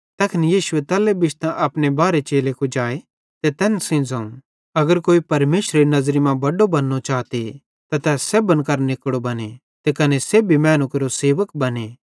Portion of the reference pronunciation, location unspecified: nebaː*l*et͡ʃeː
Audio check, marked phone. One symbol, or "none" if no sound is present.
ɾ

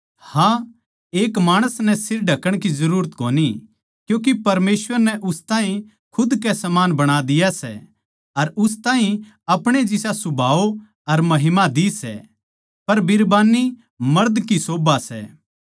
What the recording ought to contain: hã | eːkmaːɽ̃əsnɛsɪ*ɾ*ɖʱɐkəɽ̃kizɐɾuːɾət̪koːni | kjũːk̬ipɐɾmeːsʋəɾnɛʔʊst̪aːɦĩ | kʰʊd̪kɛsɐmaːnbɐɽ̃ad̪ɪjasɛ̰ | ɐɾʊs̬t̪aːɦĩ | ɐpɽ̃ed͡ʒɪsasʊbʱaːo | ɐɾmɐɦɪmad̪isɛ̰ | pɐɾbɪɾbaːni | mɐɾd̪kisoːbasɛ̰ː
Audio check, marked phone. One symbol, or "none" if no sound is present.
ɾ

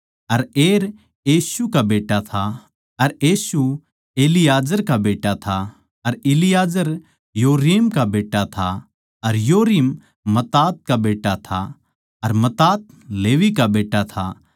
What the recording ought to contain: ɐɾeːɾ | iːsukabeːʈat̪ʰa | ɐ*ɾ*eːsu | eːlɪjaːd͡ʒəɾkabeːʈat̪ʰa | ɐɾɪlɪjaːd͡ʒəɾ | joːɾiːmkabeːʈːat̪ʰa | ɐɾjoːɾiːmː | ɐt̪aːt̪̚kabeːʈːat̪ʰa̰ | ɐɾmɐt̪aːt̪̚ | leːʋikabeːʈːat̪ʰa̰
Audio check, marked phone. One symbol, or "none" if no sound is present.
ɾ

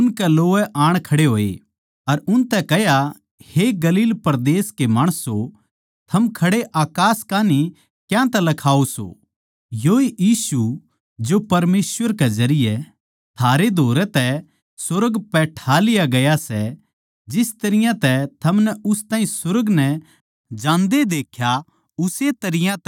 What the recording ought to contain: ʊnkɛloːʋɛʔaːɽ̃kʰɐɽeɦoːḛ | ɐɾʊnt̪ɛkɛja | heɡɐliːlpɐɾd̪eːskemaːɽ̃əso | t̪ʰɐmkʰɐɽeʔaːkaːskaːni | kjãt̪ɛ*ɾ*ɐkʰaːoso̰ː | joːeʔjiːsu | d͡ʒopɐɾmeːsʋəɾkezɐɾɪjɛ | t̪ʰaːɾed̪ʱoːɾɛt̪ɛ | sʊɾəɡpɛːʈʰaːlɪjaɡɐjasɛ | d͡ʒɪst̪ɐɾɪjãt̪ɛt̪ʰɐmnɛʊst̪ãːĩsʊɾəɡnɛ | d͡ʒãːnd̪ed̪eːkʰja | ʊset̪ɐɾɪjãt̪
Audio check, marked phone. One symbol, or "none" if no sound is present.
l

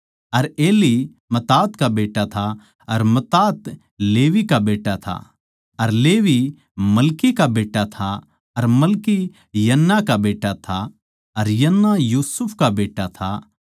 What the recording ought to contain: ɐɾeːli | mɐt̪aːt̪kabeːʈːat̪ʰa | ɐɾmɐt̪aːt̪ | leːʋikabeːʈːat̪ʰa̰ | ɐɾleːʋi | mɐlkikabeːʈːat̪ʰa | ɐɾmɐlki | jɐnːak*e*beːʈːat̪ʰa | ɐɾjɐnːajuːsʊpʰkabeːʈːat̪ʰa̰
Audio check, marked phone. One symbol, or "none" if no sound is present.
a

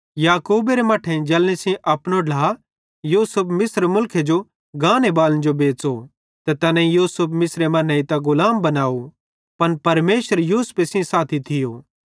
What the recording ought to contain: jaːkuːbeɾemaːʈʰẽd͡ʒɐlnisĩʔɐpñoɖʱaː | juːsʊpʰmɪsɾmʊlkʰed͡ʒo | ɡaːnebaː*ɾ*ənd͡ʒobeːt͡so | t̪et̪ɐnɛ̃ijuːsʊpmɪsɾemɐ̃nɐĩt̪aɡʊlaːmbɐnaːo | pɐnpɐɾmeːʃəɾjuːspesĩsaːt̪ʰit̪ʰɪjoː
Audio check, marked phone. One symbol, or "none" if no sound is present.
l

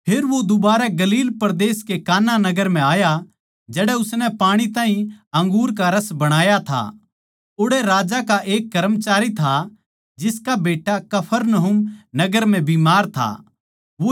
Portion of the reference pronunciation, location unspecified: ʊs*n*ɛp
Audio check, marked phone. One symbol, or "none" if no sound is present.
n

